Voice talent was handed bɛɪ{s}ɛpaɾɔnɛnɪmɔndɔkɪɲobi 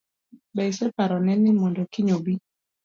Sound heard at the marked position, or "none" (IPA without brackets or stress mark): s